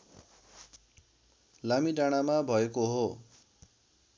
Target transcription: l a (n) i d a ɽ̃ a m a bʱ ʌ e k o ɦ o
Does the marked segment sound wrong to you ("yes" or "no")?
yes